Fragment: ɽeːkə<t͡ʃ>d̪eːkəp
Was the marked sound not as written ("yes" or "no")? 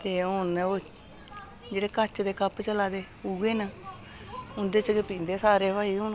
no